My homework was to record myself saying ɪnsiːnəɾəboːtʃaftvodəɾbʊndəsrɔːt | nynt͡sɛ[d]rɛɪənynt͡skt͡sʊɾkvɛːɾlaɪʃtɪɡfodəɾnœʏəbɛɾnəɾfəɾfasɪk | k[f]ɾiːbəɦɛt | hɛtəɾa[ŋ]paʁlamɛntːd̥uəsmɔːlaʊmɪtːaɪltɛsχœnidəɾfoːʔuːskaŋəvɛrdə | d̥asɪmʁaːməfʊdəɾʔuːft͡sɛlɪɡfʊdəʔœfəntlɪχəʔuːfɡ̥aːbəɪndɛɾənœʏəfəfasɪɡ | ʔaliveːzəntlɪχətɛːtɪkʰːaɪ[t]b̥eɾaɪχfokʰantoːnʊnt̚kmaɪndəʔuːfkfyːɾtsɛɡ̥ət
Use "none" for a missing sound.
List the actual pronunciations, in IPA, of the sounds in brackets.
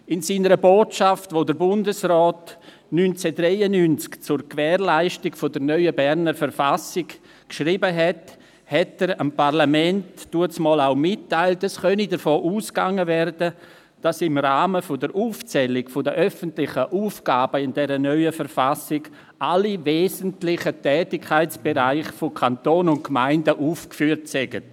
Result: d, ʃ, m, t͡s

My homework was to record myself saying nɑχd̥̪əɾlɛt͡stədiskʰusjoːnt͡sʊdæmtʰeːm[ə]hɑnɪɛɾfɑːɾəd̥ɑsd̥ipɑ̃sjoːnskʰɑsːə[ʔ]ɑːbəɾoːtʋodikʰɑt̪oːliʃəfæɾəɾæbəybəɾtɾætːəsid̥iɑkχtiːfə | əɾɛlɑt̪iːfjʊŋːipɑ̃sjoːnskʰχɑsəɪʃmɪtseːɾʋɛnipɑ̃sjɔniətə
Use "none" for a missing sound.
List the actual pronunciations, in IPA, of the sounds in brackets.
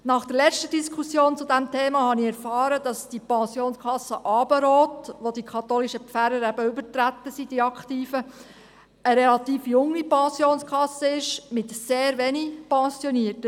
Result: ɑ, ʔ

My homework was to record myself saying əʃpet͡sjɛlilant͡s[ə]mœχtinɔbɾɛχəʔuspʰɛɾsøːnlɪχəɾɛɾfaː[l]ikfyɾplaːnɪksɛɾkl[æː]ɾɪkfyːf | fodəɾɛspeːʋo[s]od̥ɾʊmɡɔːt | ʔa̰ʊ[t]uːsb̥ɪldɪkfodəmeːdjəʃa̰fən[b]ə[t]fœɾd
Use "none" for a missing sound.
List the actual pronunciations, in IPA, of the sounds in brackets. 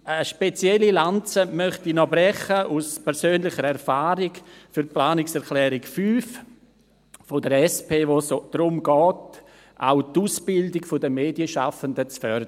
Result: ə, ɾ, ɛː, s, t, d, t͡s

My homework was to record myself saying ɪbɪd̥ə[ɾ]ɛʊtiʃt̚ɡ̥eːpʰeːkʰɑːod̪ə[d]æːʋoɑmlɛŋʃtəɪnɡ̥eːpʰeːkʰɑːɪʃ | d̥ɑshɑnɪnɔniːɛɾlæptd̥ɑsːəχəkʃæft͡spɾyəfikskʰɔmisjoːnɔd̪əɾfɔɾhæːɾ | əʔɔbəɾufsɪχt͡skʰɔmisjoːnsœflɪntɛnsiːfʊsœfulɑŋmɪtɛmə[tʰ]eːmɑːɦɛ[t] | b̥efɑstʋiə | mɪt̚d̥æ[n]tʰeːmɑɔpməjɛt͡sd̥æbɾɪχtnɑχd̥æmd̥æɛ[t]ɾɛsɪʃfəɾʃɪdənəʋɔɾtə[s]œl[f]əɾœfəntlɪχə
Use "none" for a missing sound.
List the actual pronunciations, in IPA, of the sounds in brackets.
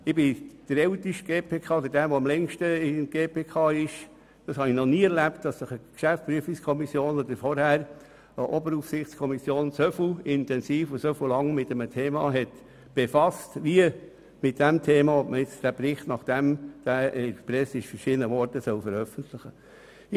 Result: ɾ, d, tʰ, t, m, p, s, f

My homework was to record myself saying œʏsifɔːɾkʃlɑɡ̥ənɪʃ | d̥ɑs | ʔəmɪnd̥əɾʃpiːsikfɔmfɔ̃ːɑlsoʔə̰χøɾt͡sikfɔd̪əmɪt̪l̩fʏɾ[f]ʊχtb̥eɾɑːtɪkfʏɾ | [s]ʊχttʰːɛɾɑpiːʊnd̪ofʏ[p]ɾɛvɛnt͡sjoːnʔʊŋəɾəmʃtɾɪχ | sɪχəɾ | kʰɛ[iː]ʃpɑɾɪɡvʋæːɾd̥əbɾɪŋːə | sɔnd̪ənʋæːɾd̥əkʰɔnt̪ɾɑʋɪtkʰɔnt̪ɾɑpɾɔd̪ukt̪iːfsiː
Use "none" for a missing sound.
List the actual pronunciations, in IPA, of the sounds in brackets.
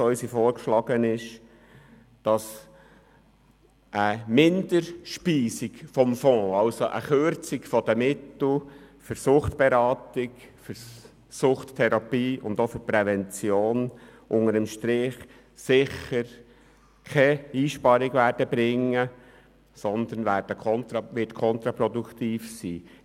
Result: s, s, p, iː

